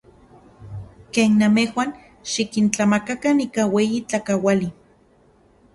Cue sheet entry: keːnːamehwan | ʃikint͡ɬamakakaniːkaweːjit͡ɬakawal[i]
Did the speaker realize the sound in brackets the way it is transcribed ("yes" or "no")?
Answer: yes